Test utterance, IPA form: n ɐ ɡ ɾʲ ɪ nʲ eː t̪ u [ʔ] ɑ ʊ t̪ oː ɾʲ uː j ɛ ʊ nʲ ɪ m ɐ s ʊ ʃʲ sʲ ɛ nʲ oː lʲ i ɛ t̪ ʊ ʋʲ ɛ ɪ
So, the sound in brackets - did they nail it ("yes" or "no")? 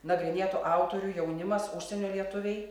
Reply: yes